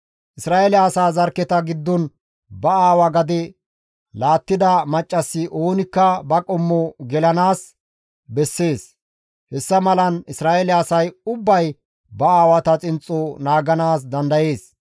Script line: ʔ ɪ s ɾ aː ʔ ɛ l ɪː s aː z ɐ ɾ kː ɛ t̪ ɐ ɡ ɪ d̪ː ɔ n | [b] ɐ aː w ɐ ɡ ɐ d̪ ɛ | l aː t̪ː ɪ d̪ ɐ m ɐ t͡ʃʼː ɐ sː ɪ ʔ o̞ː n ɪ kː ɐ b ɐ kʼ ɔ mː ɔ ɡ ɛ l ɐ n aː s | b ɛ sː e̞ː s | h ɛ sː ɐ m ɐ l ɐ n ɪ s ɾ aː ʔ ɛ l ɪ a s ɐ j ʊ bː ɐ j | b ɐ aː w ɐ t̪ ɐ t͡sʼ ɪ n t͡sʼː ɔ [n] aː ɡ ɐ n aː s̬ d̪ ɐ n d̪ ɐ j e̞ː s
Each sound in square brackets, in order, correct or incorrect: correct, correct

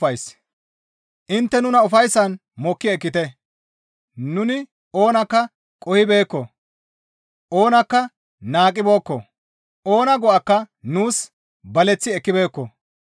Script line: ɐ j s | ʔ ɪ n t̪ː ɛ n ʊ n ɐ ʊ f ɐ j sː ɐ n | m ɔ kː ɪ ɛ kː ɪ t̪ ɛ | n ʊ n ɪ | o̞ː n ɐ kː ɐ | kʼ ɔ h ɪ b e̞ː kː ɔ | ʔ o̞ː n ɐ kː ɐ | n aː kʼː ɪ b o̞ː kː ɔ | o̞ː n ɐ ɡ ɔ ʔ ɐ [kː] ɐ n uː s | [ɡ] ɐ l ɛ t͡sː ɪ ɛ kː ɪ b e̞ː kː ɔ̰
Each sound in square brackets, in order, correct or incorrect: correct, incorrect

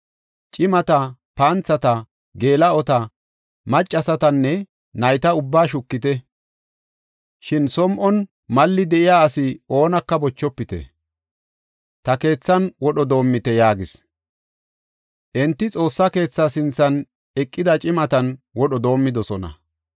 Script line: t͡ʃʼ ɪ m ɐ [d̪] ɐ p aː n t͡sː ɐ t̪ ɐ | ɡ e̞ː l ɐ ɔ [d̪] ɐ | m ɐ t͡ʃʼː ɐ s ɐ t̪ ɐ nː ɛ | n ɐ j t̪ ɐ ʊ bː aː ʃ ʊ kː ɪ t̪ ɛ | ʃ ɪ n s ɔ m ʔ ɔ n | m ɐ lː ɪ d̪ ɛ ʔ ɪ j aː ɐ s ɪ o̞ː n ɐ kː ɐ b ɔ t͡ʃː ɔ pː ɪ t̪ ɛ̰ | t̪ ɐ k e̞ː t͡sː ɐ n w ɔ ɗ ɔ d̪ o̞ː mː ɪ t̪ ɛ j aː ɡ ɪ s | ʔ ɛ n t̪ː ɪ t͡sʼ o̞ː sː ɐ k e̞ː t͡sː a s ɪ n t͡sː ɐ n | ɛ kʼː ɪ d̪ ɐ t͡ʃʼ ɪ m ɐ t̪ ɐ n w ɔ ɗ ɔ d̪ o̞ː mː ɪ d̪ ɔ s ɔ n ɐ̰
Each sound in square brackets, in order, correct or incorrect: incorrect, incorrect

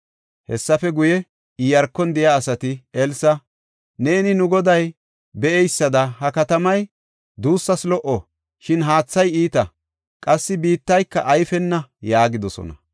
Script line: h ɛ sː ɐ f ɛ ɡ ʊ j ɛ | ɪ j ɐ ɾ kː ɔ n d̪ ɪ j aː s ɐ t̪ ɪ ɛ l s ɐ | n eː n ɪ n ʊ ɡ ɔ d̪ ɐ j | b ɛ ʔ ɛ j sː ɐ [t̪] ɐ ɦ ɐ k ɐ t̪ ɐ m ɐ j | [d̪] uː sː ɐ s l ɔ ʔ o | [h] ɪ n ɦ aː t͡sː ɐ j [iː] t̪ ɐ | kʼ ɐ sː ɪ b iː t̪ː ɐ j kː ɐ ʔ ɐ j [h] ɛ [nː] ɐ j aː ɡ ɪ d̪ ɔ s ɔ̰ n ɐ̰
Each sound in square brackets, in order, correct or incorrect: incorrect, correct, incorrect, correct, incorrect, correct

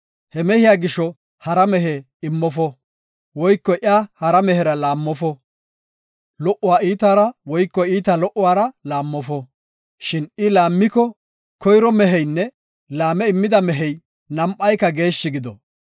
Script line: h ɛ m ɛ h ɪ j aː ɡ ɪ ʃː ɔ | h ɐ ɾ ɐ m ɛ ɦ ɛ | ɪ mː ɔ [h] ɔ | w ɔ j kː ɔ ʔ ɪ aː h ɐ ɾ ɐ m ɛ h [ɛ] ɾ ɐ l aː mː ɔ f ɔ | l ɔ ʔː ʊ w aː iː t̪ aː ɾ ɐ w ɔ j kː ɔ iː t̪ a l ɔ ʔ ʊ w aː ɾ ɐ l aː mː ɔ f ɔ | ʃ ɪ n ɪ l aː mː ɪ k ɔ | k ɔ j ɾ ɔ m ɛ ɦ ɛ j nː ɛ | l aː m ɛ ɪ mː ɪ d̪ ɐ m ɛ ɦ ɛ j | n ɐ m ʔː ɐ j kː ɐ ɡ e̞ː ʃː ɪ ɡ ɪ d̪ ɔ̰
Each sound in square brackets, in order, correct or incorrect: incorrect, correct

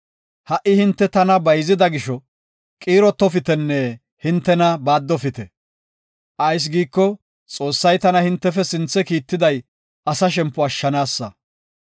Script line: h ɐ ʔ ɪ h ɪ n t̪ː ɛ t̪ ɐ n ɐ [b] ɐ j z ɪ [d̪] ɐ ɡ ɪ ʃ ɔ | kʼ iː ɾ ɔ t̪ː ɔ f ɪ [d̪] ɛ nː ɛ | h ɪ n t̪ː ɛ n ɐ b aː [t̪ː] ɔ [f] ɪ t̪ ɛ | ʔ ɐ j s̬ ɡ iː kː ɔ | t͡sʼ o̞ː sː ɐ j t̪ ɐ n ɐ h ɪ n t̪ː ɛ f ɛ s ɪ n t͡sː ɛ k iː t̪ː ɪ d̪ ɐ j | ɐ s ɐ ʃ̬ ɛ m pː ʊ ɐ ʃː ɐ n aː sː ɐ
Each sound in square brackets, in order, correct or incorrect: correct, correct, incorrect, incorrect, correct

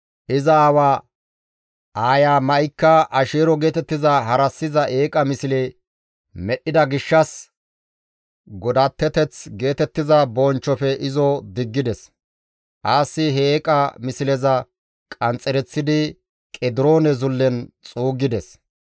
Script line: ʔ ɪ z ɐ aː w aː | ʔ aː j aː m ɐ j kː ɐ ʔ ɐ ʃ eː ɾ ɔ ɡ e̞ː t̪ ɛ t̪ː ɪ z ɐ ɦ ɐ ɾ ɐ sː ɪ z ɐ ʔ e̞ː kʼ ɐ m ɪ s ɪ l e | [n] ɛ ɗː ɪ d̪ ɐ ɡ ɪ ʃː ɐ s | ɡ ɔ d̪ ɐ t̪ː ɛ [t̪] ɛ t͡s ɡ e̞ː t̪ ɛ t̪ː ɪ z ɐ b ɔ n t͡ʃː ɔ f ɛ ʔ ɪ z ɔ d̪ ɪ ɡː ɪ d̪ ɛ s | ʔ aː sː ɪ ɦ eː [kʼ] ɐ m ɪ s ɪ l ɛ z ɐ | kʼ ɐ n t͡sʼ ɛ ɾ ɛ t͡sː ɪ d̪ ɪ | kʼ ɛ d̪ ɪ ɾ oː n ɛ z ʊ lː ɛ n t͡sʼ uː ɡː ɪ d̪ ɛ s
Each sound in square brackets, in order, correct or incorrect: incorrect, correct, correct

